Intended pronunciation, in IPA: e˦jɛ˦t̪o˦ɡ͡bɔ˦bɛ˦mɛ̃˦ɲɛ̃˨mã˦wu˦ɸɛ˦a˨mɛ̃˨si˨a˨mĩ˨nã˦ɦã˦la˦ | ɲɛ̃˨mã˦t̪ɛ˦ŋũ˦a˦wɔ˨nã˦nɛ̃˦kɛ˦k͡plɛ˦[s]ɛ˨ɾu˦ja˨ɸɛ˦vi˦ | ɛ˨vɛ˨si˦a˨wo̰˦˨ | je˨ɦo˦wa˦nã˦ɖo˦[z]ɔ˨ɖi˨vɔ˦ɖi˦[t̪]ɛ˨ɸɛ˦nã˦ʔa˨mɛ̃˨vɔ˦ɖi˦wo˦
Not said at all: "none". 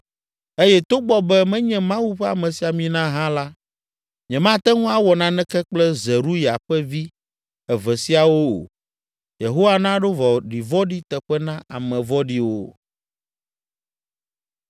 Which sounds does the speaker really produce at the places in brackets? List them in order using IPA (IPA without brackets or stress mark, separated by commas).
z, v, t̪